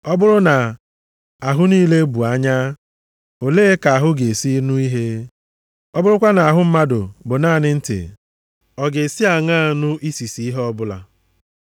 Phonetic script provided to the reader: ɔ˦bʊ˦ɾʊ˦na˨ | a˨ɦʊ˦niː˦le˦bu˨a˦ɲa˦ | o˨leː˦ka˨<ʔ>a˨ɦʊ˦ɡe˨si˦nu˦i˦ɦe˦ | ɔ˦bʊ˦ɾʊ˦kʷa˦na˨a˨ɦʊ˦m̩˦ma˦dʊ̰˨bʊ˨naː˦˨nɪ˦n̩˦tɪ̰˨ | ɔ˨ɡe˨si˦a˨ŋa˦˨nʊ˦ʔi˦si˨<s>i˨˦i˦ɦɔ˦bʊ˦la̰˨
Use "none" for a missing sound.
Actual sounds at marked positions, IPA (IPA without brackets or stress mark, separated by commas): none, s